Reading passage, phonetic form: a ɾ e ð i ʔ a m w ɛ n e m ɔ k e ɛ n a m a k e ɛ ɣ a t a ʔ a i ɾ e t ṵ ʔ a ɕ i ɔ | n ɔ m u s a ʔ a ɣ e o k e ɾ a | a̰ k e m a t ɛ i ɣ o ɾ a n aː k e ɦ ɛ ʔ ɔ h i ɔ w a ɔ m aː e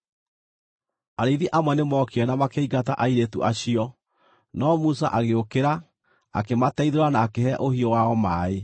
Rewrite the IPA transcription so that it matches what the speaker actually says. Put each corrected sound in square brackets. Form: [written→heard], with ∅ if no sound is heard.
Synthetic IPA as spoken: a ɾ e ð i ʔ a m w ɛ n e m ɔ k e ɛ n a m a k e [ɛ→i] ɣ a t a ʔ a i ɾ e t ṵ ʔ a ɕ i ɔ | n ɔ m u s a ʔ a ɣ e o k e ɾ a | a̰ k e m a t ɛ i [ɣ→ð] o ɾ a n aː k e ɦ ɛ ʔ [ɔ→o] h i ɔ w a ɔ m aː e